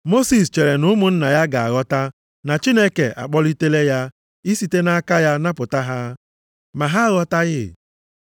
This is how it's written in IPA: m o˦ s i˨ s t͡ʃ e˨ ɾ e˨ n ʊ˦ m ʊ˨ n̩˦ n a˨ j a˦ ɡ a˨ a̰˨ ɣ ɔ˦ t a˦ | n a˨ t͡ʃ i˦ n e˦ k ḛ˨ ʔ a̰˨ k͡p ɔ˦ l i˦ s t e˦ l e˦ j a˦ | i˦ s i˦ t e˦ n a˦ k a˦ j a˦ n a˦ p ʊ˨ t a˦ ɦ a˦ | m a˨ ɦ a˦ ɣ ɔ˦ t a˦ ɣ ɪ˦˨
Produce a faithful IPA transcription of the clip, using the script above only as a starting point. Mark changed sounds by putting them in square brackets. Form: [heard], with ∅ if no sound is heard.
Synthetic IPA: m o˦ s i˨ s t͡ʃ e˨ ɾ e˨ n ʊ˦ m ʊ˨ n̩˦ n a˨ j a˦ ɡ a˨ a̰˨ ɣ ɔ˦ t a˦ | n a˨ t͡ʃ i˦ n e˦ k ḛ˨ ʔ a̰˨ k͡p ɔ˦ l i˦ [∅] t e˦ l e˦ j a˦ | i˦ s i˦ t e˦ n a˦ k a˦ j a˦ n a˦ p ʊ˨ t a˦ ɦ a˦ | m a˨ ɦ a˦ ɣ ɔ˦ t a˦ ɣ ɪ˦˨